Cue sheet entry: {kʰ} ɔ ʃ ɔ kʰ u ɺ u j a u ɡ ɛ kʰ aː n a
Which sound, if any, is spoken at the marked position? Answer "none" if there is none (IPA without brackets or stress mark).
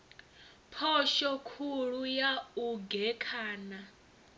pʰ